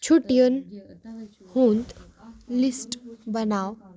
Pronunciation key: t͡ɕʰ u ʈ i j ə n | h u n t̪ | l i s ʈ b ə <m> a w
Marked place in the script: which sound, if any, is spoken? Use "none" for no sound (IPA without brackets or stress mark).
n